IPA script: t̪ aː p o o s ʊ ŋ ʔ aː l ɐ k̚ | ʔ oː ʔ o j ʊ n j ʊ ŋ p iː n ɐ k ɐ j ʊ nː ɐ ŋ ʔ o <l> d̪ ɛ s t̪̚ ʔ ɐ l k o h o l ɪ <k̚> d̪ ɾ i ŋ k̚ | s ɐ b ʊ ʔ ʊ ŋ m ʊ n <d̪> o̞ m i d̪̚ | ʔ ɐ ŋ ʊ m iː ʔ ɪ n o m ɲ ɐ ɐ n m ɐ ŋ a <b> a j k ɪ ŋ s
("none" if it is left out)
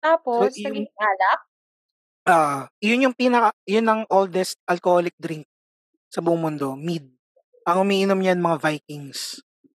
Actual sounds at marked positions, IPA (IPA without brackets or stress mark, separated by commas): l, k̚, d̪, v